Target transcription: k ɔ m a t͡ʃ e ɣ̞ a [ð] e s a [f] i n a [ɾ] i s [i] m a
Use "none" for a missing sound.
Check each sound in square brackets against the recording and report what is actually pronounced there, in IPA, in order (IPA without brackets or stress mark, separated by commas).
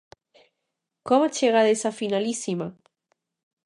ð, f, l, i